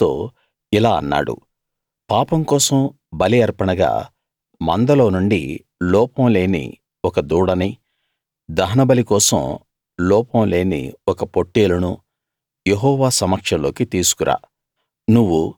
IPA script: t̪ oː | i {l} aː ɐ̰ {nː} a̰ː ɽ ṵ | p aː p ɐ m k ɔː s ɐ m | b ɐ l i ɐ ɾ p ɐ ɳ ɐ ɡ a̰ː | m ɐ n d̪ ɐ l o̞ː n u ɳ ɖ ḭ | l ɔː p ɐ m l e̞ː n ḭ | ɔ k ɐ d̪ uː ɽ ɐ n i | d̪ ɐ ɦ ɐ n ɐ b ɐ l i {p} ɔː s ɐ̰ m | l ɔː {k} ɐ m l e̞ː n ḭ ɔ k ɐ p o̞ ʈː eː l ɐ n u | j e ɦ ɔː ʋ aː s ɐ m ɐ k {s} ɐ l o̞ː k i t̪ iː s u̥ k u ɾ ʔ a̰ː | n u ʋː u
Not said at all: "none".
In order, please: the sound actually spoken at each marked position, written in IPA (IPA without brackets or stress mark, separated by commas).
l, nː, k, p, ʂ